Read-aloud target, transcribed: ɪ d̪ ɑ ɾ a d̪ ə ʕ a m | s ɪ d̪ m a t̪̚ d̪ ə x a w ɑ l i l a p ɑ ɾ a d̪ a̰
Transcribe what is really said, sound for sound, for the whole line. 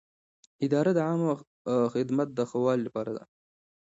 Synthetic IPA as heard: ɪ d̪ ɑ ɾ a d̪ ə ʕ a m | x ɪ d̪ m a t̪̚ d̪ ə x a w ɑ l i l a p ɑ ɾ a d̪ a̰